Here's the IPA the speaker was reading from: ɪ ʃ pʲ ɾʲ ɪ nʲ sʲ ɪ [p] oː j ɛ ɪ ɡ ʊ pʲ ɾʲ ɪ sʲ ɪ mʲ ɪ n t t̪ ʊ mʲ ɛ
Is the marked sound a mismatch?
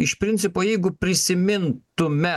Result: no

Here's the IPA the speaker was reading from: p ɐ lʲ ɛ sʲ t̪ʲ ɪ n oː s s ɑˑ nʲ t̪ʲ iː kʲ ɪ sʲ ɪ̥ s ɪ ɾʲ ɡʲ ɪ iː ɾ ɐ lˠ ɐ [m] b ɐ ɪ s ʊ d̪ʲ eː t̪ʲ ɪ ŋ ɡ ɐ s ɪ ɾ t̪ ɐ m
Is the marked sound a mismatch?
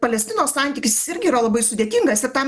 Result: yes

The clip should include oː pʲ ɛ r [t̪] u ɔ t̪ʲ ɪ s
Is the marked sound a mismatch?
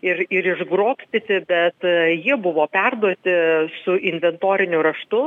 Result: yes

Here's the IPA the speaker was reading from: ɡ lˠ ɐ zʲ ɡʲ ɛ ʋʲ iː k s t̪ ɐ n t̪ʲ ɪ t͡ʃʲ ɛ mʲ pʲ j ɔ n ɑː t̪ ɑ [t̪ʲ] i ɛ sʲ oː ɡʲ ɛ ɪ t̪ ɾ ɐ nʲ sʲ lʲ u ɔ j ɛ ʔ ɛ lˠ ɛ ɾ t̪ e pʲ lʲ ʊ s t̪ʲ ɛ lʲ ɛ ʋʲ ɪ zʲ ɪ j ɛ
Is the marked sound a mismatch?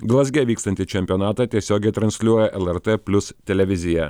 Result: no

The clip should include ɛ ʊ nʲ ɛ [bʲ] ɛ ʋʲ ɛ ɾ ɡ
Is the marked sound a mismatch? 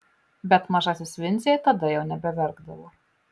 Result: no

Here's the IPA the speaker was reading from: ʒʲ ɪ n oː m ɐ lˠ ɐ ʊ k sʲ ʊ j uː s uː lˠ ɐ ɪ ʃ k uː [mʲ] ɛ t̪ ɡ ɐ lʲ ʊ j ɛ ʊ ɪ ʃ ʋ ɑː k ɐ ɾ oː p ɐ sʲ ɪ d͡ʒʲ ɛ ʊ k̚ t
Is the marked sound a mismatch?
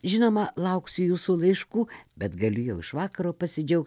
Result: yes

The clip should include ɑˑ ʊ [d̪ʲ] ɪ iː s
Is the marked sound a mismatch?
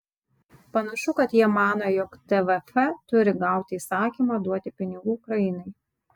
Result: yes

